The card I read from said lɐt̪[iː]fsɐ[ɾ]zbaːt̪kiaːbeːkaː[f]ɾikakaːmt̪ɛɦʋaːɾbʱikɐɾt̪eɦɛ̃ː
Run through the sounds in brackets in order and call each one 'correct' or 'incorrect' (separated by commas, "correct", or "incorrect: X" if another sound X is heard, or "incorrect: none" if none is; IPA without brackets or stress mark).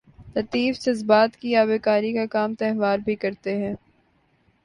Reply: correct, incorrect: none, incorrect: none